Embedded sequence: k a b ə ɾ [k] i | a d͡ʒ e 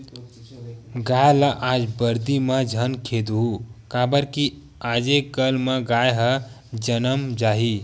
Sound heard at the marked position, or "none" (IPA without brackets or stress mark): k